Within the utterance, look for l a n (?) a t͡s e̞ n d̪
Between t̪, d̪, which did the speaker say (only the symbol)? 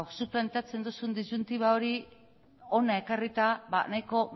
t̪